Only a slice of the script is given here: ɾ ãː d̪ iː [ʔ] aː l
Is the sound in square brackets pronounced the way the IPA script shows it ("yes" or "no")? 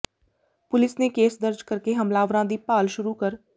no